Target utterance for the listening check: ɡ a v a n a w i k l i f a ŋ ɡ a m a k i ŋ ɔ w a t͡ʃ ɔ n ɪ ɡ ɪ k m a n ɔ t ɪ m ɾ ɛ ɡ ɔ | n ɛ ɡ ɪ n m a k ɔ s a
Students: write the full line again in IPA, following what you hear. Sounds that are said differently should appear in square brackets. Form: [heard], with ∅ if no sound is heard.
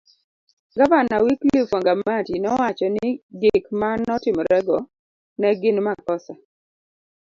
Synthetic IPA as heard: ɡ a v a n a w i k l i f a ŋ ɡ a m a [t] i [n] ɔ w a t͡ʃ ɔ n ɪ ɡ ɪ k m a n ɔ t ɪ m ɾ ɛ ɡ ɔ | n ɛ ɡ ɪ n m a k ɔ s a